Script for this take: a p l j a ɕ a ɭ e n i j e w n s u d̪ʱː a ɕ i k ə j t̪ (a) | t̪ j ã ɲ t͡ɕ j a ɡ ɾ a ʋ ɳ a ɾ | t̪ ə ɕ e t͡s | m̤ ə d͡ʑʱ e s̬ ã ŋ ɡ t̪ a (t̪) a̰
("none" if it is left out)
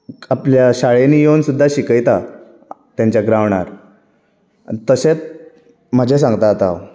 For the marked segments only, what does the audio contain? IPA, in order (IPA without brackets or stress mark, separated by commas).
a, t̪